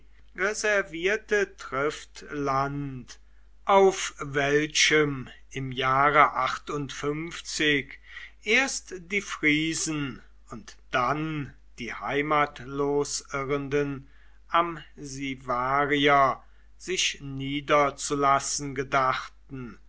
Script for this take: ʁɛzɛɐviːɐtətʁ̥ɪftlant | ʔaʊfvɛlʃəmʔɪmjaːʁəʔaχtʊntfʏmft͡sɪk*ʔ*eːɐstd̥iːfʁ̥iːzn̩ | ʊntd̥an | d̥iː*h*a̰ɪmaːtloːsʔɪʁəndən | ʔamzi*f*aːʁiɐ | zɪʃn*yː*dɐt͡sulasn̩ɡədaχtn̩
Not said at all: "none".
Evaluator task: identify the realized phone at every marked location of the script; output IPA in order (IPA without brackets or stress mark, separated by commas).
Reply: ʔ, h, v, iː